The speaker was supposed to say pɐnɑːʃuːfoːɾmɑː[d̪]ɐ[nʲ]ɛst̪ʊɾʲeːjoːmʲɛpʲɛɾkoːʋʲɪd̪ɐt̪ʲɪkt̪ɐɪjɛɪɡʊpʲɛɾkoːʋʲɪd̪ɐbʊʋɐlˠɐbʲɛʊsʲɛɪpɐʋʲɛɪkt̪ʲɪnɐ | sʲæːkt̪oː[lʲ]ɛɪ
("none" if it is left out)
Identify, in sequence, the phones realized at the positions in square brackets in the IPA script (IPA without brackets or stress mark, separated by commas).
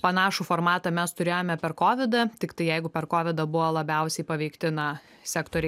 t̪, mʲ, ɾʲ